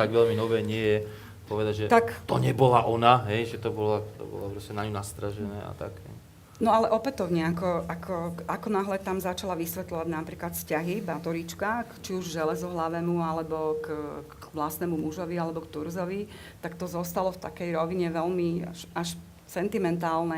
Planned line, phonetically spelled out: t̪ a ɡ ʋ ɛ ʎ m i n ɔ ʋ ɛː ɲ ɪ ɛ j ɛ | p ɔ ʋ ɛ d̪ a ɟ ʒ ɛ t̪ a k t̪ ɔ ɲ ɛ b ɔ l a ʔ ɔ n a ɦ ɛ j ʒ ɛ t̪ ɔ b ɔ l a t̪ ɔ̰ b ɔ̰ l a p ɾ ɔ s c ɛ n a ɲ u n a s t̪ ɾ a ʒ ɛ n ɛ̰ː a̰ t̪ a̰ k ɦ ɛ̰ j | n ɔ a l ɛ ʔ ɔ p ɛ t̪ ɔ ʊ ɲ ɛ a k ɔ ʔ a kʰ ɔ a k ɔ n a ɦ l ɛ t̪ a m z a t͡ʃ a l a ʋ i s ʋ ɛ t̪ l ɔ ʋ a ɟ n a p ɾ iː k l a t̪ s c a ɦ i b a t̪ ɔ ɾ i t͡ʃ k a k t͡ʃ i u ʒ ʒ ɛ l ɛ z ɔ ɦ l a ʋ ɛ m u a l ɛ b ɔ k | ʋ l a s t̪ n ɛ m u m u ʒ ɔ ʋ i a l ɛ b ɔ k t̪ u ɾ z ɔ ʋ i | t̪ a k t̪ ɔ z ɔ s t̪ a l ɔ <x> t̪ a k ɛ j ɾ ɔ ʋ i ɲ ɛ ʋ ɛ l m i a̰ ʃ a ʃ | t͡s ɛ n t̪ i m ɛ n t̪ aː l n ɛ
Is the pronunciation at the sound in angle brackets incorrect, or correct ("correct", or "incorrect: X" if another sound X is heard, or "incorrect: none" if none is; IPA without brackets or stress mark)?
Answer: incorrect: f